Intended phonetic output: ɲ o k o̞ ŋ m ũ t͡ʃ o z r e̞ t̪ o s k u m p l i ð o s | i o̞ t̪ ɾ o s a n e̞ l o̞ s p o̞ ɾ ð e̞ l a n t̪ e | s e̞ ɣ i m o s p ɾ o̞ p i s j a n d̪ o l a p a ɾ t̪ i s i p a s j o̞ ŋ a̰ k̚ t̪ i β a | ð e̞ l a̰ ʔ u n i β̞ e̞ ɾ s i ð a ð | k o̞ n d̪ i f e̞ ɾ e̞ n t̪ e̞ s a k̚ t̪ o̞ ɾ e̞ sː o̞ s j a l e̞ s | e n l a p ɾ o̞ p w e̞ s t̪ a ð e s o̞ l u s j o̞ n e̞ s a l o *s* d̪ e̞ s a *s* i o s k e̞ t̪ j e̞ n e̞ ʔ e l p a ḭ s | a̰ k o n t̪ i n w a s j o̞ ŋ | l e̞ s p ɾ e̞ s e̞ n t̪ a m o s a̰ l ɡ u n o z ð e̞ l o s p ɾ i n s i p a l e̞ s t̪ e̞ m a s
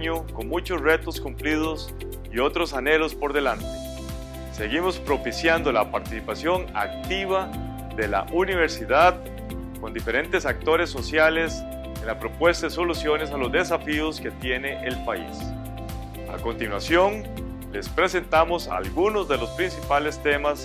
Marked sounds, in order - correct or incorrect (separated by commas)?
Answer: incorrect, incorrect